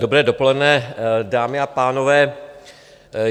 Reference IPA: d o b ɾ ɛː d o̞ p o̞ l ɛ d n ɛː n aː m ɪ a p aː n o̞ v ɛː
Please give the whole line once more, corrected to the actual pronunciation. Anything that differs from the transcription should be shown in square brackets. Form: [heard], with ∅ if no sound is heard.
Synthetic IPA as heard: d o b ɾ ɛː d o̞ p o̞ l ɛ d n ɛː [d] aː m ɪ a p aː n o̞ v ɛː